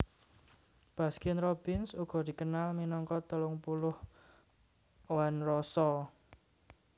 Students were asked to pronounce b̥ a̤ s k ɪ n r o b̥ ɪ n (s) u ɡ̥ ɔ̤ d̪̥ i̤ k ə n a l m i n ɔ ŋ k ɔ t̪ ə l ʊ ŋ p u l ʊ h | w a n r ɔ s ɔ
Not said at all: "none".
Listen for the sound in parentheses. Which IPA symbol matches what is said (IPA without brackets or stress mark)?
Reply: s